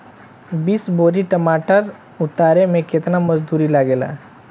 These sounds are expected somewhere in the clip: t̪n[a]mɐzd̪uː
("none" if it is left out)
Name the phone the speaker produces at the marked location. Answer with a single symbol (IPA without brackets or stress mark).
a